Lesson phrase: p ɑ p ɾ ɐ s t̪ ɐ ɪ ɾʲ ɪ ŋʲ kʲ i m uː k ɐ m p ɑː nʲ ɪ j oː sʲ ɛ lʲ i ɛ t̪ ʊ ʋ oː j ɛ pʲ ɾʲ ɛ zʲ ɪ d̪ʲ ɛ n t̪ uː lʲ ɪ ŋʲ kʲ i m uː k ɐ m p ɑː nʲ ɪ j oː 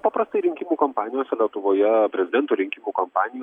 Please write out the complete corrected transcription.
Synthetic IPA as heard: p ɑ p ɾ ɐ s t̪ ɐ ɪ ɾʲ ɪ ŋʲ kʲ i m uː k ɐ m p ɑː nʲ ɪ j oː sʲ ɛ lʲ i ɛ t̪ ʊ ʋ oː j ɛ pʲ ɾʲ ɛ zʲ ɪ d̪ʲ ɛ n t̪ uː ɾʲ ɪ ŋʲ kʲ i m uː k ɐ m p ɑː nʲ ɪ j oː